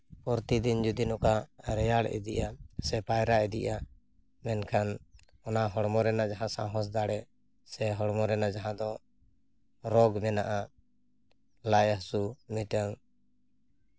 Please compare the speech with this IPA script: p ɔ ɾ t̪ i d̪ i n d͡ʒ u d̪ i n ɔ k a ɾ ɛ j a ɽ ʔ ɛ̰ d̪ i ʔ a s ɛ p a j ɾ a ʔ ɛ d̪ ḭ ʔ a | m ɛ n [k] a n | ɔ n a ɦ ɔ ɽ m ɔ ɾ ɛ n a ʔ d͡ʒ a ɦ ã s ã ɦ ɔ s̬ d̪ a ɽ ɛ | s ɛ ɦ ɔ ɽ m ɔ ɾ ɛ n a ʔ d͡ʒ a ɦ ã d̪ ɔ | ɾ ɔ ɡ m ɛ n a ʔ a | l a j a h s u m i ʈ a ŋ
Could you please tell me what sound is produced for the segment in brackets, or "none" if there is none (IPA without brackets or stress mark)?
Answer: kʰ